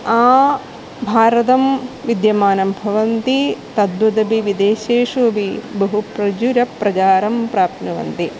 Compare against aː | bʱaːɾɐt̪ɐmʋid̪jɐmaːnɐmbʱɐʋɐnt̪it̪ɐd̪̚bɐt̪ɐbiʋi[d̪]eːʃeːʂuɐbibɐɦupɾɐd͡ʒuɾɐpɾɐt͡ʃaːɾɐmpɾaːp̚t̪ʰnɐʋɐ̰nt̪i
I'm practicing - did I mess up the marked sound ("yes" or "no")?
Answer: no